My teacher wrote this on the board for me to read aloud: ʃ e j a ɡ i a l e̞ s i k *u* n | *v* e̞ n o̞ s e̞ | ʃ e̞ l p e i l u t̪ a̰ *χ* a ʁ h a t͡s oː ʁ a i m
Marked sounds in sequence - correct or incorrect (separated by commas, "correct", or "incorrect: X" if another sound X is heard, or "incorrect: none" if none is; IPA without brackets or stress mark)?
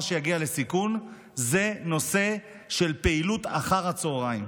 correct, incorrect: z, correct